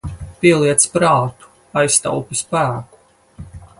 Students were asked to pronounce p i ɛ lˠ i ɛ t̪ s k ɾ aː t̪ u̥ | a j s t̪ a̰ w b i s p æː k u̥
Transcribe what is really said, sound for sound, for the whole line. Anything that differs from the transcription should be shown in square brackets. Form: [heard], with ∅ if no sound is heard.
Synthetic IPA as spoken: p i ɛ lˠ i ɛ t̪ s [p] ɾ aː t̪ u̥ | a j s t̪ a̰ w [p] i s p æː k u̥